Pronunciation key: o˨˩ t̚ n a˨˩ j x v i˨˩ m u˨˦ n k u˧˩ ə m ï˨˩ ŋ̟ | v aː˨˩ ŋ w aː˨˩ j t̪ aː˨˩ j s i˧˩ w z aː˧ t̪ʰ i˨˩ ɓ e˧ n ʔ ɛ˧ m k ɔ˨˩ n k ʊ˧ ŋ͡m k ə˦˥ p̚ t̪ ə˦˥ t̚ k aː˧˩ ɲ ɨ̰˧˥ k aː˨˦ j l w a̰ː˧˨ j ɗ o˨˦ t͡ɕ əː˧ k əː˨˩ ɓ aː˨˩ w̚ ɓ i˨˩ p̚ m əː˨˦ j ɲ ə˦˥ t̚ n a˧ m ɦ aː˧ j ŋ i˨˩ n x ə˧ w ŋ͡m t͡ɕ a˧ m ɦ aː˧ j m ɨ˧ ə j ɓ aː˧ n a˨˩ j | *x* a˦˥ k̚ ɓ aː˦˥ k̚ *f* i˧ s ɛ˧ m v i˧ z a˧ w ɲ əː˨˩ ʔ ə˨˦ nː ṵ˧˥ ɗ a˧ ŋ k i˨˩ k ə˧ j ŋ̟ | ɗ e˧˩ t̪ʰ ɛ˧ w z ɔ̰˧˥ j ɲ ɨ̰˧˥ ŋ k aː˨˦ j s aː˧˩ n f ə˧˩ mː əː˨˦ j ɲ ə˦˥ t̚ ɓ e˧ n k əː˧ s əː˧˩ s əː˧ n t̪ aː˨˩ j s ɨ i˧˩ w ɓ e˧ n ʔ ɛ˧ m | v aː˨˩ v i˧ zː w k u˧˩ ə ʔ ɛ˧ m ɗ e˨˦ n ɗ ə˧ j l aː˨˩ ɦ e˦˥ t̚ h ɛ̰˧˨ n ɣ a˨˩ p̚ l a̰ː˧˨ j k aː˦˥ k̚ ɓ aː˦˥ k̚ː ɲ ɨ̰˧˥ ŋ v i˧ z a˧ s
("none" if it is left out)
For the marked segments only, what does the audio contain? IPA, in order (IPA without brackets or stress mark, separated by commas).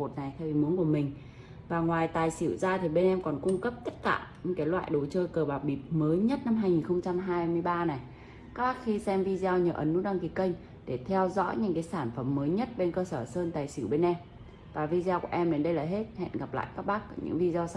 k, x